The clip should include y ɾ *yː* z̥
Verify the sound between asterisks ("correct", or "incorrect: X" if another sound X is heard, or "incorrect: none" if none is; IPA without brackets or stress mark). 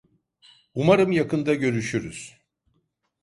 incorrect: y